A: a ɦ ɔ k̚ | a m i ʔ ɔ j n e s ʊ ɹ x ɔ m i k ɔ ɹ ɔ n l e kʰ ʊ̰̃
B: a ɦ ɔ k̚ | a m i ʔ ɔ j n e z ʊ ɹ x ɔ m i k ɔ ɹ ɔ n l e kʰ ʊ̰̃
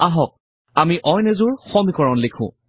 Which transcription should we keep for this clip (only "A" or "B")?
B